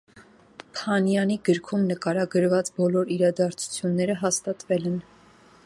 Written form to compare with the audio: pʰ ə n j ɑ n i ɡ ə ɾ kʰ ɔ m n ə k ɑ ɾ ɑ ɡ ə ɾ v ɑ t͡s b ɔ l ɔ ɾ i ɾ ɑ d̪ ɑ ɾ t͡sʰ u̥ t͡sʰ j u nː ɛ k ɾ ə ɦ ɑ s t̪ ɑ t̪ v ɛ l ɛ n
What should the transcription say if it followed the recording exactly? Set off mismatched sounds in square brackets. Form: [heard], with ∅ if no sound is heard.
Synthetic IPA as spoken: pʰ [ɑ] n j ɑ n i ɡ ə ɾ kʰ [u] m n ə k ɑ ɾ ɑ ɡ ə ɾ v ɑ t͡s b ɔ l ɔ ɾ i ɾ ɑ d̪ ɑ ɾ t͡sʰ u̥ t͡sʰ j u nː ɛ [∅] ɾ ə ɦ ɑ s t̪ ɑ t̪ v ɛ l ɛ n